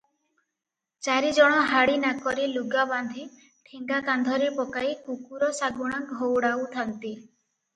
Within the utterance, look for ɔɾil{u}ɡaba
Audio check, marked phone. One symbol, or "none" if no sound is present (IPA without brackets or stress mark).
u